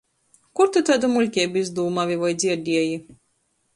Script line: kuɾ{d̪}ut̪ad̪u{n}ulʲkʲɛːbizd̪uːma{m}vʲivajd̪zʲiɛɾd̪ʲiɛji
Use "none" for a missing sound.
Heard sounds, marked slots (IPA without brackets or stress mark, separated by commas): t̪, m, none